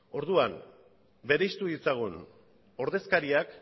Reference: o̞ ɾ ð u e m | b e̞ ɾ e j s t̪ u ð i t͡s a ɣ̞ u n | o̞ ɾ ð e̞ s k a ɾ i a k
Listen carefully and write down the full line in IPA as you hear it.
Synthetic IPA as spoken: o̞ ɾ ð u a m | b e̞ ɾ e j s t̪ u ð i t͡s a ɣ̞ u n | o̞ ɾ ð e̞ s k a ɾ i a k